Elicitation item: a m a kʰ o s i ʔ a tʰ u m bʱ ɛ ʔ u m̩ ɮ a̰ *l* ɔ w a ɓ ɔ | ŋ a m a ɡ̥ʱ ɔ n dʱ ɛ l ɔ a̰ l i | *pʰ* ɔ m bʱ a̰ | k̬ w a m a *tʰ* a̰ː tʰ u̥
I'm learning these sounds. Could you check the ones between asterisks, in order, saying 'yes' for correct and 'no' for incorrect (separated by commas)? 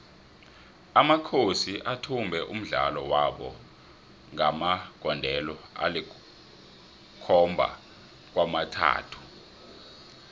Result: yes, no, yes